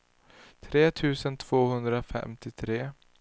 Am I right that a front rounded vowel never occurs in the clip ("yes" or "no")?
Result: yes